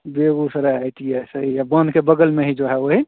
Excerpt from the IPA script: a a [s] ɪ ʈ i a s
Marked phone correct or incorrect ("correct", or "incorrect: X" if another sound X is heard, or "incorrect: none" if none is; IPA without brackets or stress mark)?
incorrect: none